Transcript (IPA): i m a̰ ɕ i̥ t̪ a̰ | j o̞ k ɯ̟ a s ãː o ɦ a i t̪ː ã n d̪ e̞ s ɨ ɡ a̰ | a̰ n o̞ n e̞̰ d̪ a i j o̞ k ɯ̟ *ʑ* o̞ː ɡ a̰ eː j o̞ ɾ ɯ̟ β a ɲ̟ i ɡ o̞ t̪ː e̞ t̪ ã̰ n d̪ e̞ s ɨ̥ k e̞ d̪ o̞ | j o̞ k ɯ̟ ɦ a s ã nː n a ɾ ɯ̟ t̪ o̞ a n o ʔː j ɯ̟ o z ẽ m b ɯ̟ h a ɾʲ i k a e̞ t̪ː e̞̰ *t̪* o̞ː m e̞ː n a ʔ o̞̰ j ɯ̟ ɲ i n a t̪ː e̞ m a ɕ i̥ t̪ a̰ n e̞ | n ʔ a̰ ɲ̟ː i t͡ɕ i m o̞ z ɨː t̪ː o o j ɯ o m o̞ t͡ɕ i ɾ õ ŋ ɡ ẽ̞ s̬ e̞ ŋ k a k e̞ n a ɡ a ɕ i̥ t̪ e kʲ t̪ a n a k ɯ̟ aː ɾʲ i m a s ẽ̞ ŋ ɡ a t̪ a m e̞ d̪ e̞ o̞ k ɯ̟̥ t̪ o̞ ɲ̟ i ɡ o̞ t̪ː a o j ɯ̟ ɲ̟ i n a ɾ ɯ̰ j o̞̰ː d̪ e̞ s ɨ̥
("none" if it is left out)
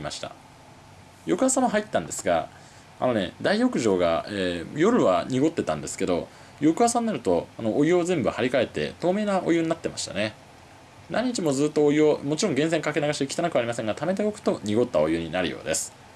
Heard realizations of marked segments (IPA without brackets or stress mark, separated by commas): ʑ, t̪